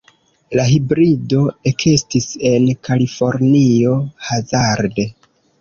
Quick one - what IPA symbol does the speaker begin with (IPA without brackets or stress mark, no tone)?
l